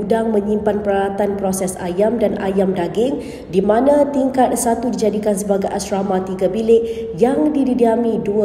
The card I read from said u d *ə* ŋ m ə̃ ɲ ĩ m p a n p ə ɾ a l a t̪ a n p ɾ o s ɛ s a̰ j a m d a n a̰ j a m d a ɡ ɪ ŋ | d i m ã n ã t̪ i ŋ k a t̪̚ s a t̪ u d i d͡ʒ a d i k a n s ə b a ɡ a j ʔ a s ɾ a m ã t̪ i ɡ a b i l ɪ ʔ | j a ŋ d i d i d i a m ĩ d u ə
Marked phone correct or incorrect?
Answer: incorrect